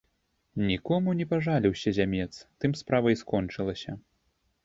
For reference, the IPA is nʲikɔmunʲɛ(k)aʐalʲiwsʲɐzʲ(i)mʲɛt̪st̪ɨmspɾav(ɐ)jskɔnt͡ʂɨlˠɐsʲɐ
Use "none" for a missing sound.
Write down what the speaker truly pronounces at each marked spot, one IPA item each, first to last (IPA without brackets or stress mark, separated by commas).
p, a, ɐ